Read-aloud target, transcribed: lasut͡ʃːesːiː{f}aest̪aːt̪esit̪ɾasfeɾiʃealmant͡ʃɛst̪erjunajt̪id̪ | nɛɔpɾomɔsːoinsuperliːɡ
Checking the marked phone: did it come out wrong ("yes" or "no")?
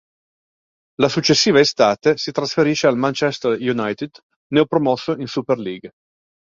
yes